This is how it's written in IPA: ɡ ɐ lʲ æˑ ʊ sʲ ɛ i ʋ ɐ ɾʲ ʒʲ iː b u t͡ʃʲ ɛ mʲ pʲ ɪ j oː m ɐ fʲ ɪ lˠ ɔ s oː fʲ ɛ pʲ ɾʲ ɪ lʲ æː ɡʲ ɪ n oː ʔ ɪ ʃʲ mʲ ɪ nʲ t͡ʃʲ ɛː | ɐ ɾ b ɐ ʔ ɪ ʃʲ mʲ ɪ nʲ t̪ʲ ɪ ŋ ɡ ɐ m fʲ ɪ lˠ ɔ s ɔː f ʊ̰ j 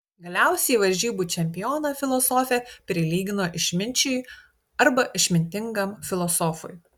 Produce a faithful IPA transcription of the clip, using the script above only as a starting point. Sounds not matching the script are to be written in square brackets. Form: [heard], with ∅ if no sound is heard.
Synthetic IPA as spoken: ɡ ɐ lʲ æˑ ʊ sʲ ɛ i ʋ ɐ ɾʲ ʒʲ iː b u t͡ʃʲ ɛ mʲ pʲ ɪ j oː [n] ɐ fʲ ɪ lˠ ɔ s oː fʲ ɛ pʲ ɾʲ ɪ lʲ [iː] ɡʲ ɪ n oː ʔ ɪ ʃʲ mʲ ɪ nʲ t͡ʃʲ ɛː | ɐ ɾ b ɐ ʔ ɪ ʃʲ mʲ ɪ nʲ t̪ʲ ɪ ŋ ɡ ɐ m fʲ ɪ lˠ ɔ s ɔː f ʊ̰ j